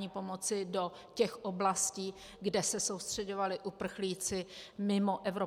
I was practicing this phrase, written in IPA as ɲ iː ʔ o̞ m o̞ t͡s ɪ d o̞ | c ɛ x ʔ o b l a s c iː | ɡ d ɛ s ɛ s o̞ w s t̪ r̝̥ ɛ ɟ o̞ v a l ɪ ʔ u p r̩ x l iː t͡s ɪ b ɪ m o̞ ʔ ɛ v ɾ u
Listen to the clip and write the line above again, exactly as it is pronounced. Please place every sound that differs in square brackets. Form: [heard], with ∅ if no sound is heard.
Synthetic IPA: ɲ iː [p] o̞ m o̞ t͡s ɪ d o̞ | c ɛ x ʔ o b l a s c iː | ɡ d ɛ s ɛ s o̞ w s t̪ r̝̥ ɛ ɟ o̞ v a l ɪ ʔ u p r̩ x l iː t͡s ɪ [m] ɪ m o̞ ʔ ɛ v ɾ [o]